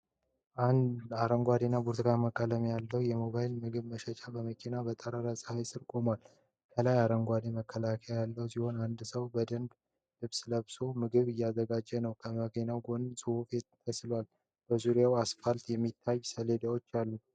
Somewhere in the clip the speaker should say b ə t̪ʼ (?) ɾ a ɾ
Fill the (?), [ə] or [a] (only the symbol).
ə